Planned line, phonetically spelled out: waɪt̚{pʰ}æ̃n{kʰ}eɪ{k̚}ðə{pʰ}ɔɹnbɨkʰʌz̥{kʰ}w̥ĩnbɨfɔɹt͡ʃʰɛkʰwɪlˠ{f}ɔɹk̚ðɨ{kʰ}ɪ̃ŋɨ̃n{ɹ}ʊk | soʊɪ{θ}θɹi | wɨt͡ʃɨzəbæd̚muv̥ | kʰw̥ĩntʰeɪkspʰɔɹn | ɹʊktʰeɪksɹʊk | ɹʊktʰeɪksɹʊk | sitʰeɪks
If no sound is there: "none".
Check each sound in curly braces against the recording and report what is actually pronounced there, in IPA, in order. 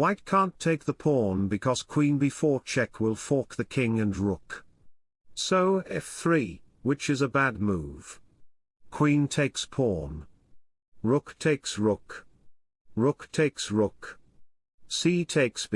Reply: kʰ, tʰ, k̚, pʰ, kʰ, f, kʰ, ɹ, f

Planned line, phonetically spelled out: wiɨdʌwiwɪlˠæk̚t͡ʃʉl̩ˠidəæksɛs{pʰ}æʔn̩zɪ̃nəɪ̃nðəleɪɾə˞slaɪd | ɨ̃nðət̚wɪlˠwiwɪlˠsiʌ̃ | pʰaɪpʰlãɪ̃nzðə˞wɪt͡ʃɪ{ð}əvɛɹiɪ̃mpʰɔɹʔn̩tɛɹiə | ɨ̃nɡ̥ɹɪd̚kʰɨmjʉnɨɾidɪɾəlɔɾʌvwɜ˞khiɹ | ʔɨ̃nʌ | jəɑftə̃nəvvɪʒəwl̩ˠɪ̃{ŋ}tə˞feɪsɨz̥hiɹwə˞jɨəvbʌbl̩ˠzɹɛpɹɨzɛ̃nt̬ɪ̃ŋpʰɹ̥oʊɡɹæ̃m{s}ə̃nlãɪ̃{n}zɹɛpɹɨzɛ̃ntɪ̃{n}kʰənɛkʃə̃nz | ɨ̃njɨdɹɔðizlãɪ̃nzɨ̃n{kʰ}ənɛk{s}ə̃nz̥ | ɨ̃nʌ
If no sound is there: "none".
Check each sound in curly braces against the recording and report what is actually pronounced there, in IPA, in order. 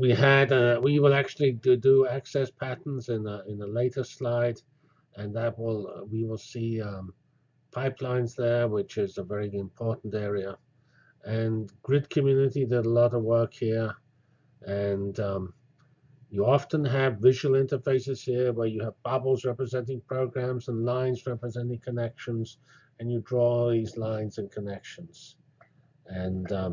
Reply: pʰ, z, n, z, n, ŋ, kʰ, ʃ

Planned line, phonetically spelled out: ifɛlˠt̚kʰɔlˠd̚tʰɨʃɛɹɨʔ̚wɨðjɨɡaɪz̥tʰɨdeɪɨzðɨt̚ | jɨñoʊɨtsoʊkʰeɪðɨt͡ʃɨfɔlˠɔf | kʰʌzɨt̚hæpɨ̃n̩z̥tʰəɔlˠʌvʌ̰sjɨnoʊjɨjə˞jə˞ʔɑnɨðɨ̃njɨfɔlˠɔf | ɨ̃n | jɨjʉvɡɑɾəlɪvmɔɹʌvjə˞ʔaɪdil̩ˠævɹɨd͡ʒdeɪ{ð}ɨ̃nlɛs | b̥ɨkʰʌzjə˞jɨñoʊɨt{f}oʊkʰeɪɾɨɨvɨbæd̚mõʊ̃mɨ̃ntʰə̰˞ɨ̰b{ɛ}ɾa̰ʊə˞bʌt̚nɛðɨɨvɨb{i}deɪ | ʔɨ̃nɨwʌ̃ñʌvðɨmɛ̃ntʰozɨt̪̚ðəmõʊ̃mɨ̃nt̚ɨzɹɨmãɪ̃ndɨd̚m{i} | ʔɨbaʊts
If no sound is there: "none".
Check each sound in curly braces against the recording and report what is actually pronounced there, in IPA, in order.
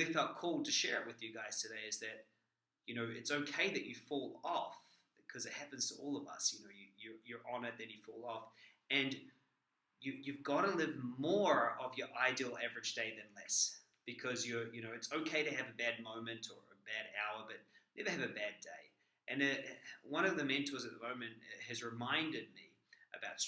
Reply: ð, s, æ, æ, i

